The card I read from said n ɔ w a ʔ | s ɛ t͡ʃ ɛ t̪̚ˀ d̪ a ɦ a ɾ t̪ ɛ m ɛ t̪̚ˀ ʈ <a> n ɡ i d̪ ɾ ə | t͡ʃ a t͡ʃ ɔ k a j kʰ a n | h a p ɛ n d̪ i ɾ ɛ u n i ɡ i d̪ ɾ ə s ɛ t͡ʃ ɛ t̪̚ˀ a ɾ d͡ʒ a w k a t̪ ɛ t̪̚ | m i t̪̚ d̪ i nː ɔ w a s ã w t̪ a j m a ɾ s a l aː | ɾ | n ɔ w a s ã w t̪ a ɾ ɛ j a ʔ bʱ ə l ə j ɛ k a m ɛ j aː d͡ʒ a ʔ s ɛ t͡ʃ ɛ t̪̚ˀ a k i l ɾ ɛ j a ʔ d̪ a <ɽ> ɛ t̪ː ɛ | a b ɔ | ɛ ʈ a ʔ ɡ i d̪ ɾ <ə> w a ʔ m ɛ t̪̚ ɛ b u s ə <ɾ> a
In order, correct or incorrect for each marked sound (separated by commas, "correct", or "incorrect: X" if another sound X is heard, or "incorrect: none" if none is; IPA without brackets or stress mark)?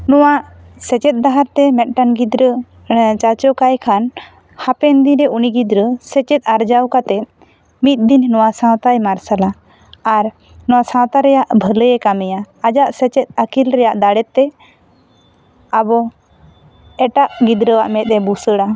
correct, correct, correct, incorrect: ɽ